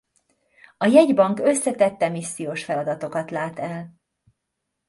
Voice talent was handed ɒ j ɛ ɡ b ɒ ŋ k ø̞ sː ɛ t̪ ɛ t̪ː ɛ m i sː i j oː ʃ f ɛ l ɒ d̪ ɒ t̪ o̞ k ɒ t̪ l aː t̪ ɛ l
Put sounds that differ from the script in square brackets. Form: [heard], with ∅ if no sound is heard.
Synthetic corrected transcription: ɒ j ɛ [ɟ] b ɒ ŋ k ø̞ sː ɛ t̪ ɛ t̪ː ɛ m i sː i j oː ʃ f ɛ l ɒ d̪ ɒ t̪ o̞ k ɒ t̪ l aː t̪ ɛ l